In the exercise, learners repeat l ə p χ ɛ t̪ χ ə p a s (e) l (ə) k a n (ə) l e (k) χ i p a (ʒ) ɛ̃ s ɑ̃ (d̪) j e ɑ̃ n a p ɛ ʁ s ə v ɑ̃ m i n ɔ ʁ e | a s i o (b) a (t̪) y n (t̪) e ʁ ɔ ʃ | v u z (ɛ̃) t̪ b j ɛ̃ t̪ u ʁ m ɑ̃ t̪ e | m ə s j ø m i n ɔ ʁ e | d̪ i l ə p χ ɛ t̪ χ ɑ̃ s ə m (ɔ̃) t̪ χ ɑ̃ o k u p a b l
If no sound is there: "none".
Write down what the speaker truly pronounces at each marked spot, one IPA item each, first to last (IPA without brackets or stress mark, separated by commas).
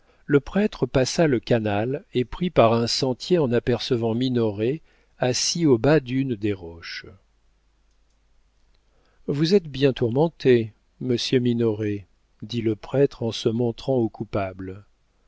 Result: a, ə, a, p, ʁ, t̪, b, d̪, d̪, ɛ, ɔ̃